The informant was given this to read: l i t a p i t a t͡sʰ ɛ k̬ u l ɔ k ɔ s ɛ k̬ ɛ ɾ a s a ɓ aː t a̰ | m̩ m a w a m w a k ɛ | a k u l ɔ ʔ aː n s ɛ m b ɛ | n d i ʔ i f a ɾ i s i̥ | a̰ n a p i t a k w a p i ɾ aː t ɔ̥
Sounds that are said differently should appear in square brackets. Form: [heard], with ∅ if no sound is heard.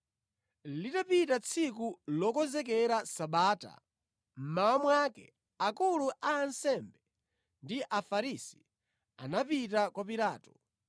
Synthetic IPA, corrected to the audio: l i t a p i t a t͡sʰ [i] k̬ u l ɔ k ɔ [z] ɛ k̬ ɛ ɾ a s a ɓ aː t a̰ | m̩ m a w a m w a k ɛ | a k u l [u] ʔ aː n s ɛ m b ɛ | n d i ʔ [a] f a ɾ i s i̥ | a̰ n a p i t a k w a p i ɾ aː t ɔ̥